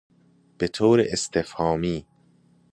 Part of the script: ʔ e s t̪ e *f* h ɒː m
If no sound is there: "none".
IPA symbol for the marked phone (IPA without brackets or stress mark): f